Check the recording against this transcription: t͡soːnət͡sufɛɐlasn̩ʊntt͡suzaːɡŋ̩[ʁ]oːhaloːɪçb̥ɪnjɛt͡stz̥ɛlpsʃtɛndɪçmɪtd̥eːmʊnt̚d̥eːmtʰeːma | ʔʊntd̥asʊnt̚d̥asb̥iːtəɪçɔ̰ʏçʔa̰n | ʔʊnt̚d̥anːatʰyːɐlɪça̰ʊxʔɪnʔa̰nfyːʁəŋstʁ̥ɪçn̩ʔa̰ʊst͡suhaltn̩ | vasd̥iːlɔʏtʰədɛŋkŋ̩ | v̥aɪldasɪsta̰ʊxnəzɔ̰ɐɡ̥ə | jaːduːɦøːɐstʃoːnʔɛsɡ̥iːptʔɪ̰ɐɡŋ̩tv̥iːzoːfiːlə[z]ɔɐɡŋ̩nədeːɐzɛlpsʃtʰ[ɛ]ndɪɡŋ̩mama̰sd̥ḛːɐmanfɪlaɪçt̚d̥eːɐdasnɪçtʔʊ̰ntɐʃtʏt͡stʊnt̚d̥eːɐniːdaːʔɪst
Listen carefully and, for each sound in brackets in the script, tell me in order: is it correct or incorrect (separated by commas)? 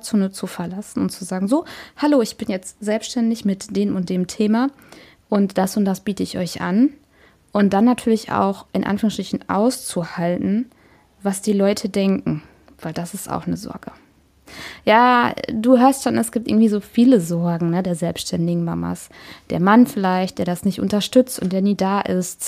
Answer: incorrect, correct, correct